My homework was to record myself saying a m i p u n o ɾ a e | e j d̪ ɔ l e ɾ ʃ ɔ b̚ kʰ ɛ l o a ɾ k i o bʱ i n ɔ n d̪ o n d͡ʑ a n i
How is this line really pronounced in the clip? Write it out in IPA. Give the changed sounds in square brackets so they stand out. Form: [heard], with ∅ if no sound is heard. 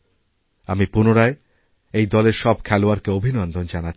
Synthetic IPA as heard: a m i p u n o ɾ a e | e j d̪ ɔ l e ɾ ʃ ɔ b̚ kʰ ɛ l o a ɾ k [e] o bʱ i n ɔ n d̪ o n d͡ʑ a n [a]